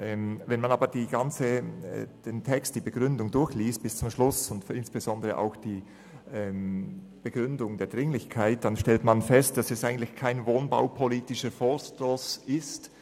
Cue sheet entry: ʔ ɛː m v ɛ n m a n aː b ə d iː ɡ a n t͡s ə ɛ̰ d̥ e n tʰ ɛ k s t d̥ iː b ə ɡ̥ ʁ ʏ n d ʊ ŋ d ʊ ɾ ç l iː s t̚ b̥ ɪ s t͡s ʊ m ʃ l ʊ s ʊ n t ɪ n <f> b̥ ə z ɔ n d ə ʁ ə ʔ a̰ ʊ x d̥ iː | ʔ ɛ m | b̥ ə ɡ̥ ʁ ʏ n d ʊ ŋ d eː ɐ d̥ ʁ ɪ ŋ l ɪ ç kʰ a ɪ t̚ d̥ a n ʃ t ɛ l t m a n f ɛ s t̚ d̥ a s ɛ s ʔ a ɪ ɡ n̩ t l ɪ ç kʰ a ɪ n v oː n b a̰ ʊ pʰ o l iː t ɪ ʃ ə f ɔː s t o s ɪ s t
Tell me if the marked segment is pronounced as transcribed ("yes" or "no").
no